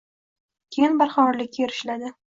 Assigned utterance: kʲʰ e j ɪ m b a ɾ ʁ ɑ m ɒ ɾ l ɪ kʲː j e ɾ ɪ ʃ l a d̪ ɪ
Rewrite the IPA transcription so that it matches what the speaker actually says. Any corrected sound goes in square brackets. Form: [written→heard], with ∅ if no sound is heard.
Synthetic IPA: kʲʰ e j ɪ [m→n] b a ɾ [ʁ→χ] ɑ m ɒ ɾ l ɪ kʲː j e ɾ ɪ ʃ l a d̪ ɪ